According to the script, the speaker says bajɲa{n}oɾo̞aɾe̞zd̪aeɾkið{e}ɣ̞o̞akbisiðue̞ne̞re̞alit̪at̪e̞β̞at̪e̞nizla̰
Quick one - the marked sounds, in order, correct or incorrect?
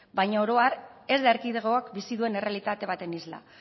incorrect: none, correct

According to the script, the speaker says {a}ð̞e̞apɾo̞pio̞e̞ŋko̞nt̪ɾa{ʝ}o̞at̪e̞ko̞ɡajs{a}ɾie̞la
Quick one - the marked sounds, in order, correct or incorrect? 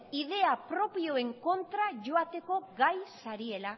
incorrect: i, correct, correct

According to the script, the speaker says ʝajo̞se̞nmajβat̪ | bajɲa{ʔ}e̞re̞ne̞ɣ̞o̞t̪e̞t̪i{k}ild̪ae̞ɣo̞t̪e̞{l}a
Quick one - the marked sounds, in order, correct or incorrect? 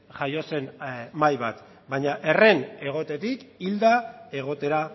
correct, correct, incorrect: ɾ

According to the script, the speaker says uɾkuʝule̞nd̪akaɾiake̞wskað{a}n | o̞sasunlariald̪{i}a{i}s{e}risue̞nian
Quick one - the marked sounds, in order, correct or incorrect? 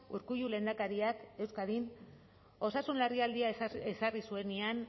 incorrect: i, correct, incorrect: e, incorrect: a

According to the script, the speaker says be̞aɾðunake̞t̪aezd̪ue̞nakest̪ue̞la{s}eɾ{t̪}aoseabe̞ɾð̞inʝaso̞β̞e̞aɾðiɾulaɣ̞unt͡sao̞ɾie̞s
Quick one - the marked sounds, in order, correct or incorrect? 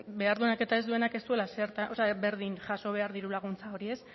correct, correct

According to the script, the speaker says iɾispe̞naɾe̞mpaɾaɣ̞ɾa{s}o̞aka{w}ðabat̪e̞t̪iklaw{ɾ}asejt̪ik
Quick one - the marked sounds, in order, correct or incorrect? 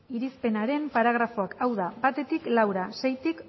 incorrect: f, correct, correct

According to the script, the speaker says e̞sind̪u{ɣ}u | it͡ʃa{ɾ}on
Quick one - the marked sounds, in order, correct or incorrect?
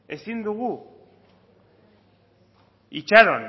correct, correct

